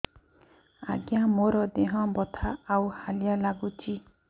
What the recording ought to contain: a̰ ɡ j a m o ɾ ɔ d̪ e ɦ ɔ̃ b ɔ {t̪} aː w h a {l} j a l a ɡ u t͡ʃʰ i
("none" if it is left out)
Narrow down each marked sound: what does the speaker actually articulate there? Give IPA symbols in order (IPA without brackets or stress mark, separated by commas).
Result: t̪ʰ, l